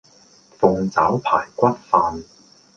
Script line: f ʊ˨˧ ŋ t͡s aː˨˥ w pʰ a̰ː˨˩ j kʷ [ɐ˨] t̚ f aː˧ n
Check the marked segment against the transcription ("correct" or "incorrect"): incorrect